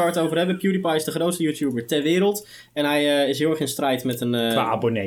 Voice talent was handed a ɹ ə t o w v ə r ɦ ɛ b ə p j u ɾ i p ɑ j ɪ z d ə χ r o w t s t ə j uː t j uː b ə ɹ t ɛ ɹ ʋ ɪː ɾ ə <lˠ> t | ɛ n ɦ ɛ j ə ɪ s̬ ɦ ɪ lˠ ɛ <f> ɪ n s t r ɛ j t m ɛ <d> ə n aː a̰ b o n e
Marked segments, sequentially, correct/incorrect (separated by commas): correct, incorrect, incorrect